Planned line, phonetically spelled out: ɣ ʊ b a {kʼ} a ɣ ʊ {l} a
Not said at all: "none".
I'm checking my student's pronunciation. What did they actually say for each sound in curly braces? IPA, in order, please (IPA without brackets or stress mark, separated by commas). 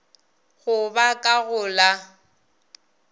kʼ, l